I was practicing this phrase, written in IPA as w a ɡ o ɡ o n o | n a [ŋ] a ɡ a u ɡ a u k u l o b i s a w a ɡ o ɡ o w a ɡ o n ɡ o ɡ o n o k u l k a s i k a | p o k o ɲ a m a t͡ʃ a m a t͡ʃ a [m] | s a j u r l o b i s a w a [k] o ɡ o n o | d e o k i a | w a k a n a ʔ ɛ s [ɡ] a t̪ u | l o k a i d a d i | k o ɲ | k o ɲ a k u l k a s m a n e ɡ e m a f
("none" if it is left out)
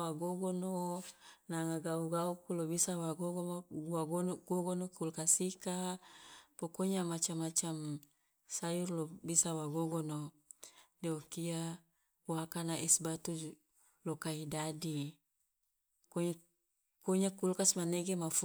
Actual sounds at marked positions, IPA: ŋ, m, ɡ, b

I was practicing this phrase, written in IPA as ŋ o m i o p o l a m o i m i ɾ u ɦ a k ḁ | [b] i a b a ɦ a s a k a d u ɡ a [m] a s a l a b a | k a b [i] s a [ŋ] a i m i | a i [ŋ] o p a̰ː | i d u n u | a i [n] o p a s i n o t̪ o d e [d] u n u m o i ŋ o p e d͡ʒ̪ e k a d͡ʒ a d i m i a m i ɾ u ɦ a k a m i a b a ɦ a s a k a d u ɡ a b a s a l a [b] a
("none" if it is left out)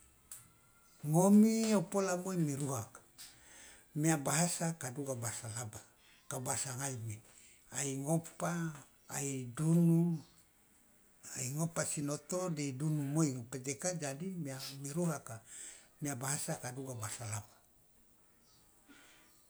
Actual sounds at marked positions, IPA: m, b, a, ŋ, ŋ, ŋ, d, b

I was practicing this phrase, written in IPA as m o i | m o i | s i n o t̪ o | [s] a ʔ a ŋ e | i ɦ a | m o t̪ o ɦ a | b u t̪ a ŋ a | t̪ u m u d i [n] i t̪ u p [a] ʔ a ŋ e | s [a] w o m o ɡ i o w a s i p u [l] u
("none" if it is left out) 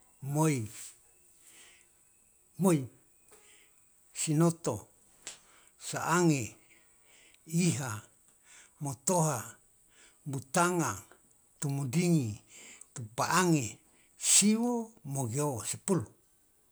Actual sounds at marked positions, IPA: s, ŋ, a, i, l

